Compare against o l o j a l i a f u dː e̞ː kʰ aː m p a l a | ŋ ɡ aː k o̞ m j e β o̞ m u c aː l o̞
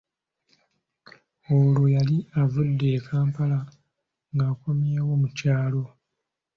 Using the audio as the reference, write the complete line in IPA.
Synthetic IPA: o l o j a l i a v u dː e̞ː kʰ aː m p a l a | ŋ ɡ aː k o̞ m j e w o̞ m u c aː l o̞